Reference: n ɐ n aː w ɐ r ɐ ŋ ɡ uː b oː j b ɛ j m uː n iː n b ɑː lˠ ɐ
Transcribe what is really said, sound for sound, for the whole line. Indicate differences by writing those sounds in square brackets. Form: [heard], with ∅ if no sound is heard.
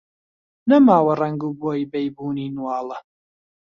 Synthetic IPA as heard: n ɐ [m] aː w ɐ r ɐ ŋ ɡ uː b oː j b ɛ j [b] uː n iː n [w] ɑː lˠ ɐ